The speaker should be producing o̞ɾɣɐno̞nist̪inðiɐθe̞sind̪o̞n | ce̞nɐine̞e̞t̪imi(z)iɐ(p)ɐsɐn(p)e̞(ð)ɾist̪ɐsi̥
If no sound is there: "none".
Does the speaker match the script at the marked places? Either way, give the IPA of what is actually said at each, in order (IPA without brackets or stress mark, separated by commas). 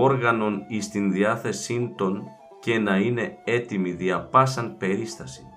ð, p, p, none